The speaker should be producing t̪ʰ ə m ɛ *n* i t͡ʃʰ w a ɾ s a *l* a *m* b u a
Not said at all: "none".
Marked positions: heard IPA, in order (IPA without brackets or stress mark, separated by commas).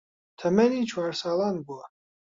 n, l, n